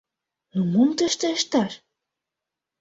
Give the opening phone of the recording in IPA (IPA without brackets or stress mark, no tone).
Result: n